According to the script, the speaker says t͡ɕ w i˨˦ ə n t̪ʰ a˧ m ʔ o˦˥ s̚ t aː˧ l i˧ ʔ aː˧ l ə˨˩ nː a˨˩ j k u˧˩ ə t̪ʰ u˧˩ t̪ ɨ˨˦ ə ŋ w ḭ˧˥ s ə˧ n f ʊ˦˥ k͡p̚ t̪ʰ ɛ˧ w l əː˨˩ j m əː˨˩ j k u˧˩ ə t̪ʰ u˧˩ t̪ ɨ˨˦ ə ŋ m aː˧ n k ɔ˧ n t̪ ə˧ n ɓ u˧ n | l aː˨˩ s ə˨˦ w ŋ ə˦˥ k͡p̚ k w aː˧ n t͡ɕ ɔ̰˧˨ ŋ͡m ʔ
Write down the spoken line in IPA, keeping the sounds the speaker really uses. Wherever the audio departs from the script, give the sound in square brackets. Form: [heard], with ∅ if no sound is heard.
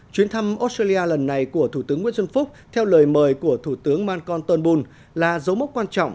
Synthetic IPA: t͡ɕ w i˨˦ ə n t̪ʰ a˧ m ʔ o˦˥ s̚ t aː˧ l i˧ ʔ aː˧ l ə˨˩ nː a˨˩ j k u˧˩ ə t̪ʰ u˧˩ t̪ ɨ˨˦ ə ŋ w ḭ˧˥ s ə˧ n f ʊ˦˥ k͡p̚ t̪ʰ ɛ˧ w l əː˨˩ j m əː˨˩ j k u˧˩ ə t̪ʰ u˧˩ t̪ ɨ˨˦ ə ŋ m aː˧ n k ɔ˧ n t̪ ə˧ n ɓ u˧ n | l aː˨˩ [z] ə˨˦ w [m] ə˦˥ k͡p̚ k w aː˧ n t͡ɕ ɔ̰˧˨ ŋ͡m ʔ